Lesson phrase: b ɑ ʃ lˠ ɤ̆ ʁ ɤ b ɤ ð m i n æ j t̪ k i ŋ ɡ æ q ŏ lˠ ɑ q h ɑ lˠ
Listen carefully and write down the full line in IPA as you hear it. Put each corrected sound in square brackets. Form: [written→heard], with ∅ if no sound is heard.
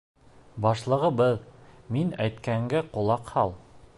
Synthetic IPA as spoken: b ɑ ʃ lˠ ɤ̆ ʁ ɤ b ɤ ð m i n æ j t̪ k [i→æ] ŋ ɡ æ q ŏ lˠ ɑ q h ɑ lˠ